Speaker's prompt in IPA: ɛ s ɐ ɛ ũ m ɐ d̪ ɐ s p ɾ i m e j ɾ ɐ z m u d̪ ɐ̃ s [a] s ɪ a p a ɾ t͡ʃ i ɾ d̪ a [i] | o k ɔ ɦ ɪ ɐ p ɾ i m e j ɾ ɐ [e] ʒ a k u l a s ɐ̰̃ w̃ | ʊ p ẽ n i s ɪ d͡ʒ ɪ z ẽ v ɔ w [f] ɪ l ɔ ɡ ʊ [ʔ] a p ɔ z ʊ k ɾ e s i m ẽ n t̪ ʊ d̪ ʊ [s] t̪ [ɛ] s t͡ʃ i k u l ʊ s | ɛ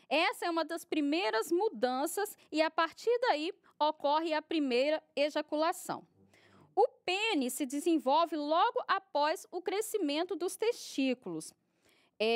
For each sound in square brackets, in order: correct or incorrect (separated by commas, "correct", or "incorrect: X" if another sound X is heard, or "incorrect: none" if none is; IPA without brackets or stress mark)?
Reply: incorrect: ɐ, correct, correct, incorrect: v, correct, correct, incorrect: e